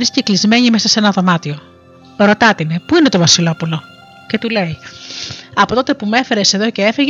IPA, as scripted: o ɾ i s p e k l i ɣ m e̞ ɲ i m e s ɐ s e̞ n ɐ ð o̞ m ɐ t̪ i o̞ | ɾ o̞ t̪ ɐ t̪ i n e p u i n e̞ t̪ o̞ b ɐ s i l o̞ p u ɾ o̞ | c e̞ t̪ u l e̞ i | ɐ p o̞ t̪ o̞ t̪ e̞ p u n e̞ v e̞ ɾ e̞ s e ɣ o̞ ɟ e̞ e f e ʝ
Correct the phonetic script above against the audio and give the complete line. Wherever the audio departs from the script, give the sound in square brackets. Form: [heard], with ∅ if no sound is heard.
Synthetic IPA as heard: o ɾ i s [c] e k l i [z] m e̞ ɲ i m e s ɐ s e̞ n ɐ ð o̞ m ɐ t̪ i o̞ | ɾ o̞ t̪ ɐ t̪ i n e p u i n e̞ t̪ o̞ [v] ɐ s i l o̞ p u [l] o̞ | c e̞ t̪ u l e̞ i | ɐ p o̞ t̪ o̞ t̪ e̞ p u [m] e̞ [f] e̞ ɾ e̞ s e [ð] o̞ [c] e̞ e f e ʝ